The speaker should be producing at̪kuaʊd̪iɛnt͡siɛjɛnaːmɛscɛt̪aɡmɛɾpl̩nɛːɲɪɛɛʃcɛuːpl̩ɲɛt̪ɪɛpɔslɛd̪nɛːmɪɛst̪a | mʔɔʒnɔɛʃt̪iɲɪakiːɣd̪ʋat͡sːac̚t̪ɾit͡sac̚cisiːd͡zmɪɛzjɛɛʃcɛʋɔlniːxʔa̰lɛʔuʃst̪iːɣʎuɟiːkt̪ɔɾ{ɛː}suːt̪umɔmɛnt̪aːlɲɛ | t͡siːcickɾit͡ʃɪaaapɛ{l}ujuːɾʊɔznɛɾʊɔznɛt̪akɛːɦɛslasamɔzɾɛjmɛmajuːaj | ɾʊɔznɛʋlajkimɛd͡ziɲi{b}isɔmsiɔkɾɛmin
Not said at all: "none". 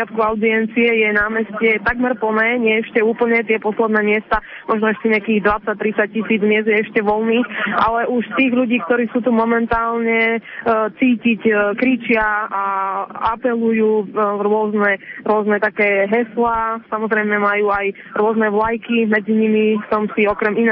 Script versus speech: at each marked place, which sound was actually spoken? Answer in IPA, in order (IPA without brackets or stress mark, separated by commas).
iː, l, m